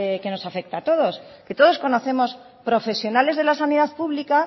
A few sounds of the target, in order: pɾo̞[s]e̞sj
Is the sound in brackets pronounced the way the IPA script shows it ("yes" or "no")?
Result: no